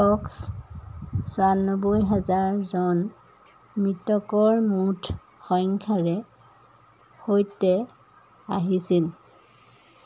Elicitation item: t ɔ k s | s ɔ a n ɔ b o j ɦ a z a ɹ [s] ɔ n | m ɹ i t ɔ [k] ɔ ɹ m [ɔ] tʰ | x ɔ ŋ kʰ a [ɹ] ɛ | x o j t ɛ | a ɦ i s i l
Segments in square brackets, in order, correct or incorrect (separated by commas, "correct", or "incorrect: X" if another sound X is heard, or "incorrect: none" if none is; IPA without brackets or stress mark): incorrect: z, correct, incorrect: u, correct